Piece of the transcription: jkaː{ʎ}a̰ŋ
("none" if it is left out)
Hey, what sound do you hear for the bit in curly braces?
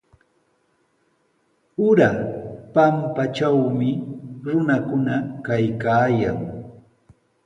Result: j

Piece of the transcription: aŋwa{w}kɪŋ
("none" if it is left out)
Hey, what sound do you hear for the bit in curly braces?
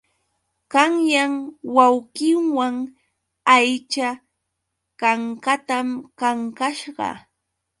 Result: w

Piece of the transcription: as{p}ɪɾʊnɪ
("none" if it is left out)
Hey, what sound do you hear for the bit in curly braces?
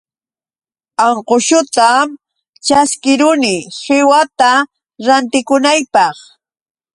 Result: k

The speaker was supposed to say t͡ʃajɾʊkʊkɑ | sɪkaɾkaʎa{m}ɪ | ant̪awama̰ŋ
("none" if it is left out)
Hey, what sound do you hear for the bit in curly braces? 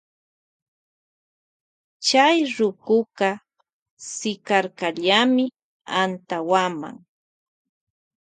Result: m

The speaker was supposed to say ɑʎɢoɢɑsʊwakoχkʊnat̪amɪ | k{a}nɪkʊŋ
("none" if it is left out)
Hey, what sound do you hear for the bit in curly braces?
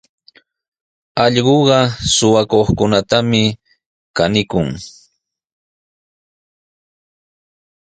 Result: a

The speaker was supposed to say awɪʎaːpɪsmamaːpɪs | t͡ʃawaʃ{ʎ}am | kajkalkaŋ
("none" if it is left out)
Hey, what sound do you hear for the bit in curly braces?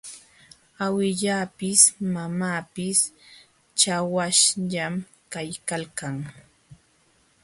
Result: ʎ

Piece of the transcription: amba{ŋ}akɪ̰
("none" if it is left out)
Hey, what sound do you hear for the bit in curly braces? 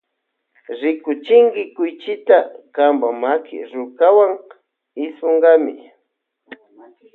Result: m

